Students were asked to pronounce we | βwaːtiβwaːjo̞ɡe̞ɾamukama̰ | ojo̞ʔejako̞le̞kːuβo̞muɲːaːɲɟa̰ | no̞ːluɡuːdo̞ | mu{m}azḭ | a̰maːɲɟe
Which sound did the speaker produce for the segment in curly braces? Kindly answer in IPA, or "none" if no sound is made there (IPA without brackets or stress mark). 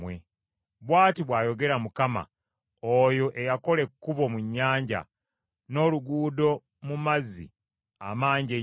m